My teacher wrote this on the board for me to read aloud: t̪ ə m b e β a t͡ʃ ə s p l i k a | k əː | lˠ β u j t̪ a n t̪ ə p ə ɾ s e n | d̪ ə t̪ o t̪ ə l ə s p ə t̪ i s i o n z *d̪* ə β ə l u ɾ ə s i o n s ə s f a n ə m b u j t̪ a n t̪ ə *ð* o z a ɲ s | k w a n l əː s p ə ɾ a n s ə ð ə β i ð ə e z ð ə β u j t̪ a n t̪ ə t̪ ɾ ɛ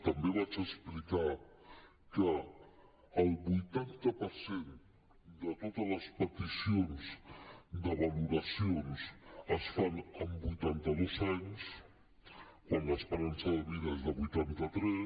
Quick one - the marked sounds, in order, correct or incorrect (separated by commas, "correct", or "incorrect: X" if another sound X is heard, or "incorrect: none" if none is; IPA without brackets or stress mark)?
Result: correct, correct